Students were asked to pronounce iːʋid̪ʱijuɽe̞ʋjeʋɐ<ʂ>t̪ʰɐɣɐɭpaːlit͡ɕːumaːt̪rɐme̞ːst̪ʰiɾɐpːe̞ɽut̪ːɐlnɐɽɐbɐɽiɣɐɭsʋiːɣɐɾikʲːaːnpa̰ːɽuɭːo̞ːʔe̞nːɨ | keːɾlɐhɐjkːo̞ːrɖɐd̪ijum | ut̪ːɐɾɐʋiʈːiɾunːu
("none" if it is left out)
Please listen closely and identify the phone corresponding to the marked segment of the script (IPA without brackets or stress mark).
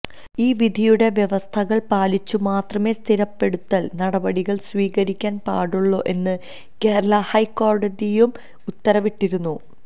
s